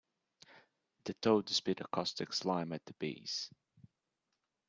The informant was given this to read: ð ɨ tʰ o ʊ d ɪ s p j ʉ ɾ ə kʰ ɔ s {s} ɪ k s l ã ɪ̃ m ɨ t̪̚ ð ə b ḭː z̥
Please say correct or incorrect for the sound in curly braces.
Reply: incorrect